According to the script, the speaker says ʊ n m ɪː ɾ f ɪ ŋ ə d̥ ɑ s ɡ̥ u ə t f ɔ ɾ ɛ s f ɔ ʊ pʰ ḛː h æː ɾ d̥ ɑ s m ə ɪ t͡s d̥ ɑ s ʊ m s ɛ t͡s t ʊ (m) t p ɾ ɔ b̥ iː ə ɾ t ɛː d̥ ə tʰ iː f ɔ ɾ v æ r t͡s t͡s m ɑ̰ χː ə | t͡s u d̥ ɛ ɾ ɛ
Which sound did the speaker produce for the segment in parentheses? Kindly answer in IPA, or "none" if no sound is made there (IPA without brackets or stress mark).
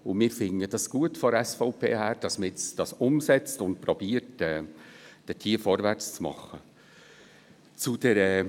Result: n